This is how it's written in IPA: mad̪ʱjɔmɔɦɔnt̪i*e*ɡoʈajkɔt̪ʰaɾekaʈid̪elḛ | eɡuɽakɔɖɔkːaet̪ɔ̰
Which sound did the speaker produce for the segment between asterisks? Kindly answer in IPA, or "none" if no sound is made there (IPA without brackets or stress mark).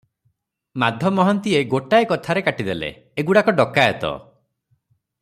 e